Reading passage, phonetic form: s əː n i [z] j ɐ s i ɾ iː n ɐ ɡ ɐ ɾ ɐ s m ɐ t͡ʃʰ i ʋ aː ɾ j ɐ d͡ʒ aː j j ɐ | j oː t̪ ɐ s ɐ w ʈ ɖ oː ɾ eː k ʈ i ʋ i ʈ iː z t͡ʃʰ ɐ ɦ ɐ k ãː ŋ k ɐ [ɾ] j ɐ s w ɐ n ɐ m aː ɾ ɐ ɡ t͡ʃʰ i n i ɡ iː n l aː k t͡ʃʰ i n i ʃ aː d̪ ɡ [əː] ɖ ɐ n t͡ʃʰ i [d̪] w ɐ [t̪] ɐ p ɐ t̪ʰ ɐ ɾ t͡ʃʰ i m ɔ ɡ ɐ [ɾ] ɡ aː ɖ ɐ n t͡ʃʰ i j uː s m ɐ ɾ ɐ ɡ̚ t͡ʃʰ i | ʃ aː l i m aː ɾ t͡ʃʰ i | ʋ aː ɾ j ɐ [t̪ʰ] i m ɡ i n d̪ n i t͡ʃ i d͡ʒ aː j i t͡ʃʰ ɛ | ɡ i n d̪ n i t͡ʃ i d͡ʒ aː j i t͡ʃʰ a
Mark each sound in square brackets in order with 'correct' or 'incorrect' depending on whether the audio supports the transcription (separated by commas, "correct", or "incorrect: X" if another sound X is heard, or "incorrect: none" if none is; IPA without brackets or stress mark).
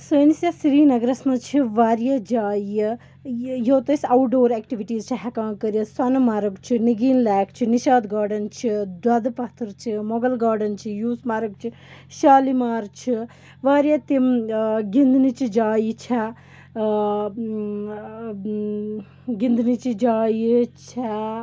incorrect: s, correct, incorrect: aː, correct, incorrect: d̪, incorrect: l, incorrect: t̪